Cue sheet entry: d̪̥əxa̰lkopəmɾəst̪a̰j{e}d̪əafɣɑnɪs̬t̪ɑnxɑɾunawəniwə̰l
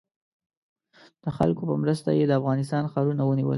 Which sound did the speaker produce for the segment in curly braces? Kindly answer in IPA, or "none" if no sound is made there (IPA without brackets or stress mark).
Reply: e